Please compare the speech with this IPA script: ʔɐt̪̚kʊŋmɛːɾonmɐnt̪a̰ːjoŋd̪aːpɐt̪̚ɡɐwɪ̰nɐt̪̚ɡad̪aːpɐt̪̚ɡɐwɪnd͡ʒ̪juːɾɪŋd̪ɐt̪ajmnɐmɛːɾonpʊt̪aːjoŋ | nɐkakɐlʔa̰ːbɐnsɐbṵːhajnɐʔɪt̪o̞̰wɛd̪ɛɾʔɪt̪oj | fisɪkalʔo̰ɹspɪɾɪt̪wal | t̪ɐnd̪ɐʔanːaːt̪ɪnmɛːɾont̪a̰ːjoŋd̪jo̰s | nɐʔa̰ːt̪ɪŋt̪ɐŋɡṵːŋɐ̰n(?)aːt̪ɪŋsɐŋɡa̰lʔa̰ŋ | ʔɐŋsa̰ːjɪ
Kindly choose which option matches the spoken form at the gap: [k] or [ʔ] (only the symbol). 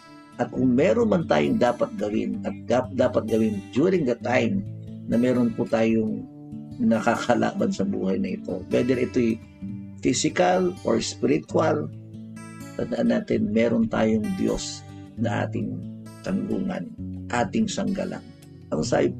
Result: ʔ